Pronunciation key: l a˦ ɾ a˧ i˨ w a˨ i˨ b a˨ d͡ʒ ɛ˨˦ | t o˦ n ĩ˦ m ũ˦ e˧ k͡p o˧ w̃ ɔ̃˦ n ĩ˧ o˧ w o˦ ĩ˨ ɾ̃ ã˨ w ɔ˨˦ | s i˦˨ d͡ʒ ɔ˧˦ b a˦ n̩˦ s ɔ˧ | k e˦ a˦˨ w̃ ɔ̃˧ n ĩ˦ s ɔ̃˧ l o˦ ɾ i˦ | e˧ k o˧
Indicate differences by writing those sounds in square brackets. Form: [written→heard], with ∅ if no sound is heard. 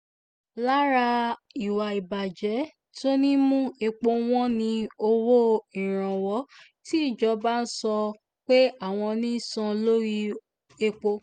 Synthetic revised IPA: l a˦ ɾ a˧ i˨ w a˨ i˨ b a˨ d͡ʒ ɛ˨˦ | t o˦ n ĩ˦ m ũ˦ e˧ k͡p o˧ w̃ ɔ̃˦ n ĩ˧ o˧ w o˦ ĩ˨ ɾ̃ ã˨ w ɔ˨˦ | [s→t] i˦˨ d͡ʒ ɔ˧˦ b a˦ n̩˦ s ɔ˧ | [k→k͡p] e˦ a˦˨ w̃ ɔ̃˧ n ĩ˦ s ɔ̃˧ l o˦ ɾ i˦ | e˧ [k→k͡p] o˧